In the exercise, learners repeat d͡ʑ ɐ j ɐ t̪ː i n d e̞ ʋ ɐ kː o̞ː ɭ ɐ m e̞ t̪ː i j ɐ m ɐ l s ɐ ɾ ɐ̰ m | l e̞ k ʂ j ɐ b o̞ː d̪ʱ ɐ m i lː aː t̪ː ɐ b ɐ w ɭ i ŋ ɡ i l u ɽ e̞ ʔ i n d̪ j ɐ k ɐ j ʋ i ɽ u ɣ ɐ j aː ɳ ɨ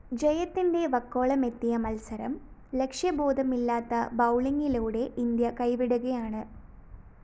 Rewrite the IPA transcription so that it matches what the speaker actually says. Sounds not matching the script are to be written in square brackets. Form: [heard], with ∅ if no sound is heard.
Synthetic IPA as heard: d͡ʑ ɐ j ɐ t̪ː i n d e̞ ʋ ɐ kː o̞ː ɭ ɐ m e̞ t̪ː i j ɐ m ɐ l s ɐ ɾ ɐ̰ m | l e̞ k ʂ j ɐ b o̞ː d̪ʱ ɐ m i lː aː t̪ː ɐ b ɐ w ɭ i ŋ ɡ i l [uː] ɽ e̞ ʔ i n d̪ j ɐ k ɐ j ʋ i ɽ u ɣ ɐ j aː ɳ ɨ

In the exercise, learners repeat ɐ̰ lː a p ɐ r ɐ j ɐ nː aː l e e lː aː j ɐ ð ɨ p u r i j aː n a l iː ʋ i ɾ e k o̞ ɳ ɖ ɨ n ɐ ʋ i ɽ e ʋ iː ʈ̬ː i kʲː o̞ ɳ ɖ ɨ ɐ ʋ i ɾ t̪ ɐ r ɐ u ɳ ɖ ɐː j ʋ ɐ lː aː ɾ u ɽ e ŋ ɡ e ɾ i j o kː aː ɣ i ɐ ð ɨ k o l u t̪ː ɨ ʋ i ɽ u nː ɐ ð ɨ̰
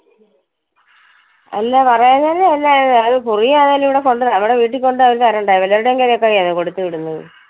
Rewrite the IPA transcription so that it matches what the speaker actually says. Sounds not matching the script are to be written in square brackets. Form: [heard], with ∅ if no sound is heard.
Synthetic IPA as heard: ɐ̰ lː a p ɐ r ɐ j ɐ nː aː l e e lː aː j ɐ ð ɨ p u r i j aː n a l [i] ʋ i [ɽ] e k o̞ ɳ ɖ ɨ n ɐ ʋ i ɽ e ʋ iː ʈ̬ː i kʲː o̞ ɳ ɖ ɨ ɐ ʋ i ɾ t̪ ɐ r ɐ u ɳ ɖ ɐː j ʋ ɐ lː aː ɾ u ɽ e ŋ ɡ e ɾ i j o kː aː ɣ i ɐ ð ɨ k o [ɽ] u t̪ː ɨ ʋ i ɽ u nː ɐ ð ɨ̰

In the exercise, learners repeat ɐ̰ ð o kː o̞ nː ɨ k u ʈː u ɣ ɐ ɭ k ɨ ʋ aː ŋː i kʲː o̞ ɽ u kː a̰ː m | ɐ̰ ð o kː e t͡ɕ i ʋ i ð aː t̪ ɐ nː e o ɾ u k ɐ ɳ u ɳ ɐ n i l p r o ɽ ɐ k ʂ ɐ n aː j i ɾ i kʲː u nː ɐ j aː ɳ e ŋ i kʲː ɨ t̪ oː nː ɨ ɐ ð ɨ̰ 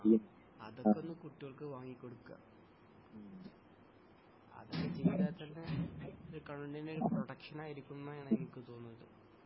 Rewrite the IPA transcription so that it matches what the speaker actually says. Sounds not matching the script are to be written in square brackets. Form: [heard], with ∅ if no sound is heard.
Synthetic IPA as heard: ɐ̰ ð o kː o̞ nː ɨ k u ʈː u ɣ ɐ ɭ k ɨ ʋ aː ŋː i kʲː o̞ ɽ u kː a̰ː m | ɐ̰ ð o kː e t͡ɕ i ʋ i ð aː t̪ ɐ nː e o ɾ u k ɐ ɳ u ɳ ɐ n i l p r o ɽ ɐ k ʂ ɐ n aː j i ɾ i kʲː u nː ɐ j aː ɳ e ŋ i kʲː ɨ t̪ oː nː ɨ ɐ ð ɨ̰

